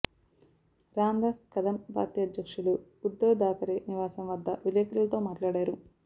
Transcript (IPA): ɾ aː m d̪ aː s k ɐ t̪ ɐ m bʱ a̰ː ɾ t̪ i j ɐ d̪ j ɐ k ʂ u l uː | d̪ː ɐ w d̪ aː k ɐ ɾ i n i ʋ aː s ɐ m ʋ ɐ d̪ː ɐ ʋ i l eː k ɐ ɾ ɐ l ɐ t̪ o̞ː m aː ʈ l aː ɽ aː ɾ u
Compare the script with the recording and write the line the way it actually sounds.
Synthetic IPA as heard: ɾ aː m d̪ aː s k ɐ d̪ ɐ m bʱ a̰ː ɾ t̪ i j ɐ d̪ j ɐ k ʂ u l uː | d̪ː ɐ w d̪ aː k ɐ ɾ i n i ʋ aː s ɐ m ʋ ɐ d̪ː ɐ ʋ i l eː k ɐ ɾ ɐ l ɐ t̪ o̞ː m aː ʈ l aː ɽ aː ɾ u